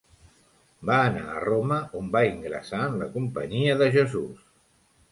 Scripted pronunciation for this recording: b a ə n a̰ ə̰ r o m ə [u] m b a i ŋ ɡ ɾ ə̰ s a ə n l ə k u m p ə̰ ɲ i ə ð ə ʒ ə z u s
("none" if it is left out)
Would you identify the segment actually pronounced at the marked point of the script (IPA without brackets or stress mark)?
o